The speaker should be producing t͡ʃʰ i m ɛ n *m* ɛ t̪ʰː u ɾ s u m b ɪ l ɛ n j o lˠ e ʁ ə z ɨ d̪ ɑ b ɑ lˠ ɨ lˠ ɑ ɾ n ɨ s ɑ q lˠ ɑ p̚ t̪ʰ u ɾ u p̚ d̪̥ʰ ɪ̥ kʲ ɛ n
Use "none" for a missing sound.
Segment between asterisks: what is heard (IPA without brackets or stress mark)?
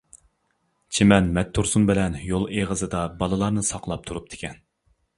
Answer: m